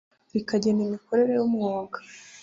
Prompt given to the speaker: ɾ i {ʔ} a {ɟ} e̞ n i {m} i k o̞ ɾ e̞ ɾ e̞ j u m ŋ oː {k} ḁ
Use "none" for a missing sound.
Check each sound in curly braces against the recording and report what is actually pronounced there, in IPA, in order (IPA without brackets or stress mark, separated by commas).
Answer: k, ɟ, m, ɡ